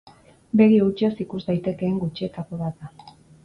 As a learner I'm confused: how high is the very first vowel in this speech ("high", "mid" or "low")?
mid